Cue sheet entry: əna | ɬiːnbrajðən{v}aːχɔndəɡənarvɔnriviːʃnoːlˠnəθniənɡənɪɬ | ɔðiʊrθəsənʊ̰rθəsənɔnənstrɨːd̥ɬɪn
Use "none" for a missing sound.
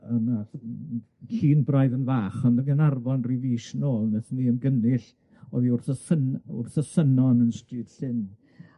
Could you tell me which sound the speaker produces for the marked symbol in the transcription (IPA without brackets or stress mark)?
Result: v